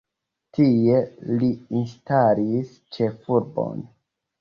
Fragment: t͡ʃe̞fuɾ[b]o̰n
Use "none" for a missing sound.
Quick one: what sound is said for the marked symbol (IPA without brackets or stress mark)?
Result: b